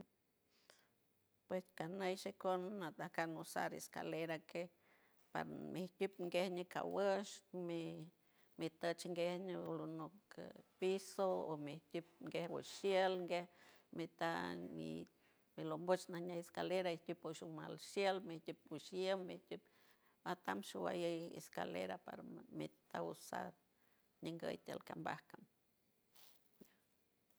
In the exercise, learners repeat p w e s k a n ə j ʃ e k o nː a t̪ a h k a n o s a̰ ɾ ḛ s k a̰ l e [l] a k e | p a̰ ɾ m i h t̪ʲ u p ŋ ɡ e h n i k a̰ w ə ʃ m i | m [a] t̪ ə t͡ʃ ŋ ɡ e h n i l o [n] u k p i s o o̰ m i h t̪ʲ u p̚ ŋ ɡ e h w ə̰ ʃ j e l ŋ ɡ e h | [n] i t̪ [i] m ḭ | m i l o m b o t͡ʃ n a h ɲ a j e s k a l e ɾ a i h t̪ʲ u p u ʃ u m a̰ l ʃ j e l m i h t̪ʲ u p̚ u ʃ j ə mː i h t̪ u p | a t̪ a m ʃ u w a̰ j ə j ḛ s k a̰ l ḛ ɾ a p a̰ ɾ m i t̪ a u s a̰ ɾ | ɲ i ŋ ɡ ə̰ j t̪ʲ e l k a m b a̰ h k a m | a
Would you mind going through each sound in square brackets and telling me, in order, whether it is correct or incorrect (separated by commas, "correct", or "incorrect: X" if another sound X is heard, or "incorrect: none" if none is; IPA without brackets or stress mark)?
incorrect: ɾ, incorrect: i, correct, incorrect: m, incorrect: a